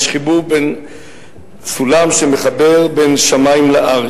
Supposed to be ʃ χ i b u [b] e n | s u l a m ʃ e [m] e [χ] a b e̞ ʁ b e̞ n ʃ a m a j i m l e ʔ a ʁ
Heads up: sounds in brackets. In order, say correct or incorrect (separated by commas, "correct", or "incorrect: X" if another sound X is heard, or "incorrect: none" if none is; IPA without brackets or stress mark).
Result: correct, correct, correct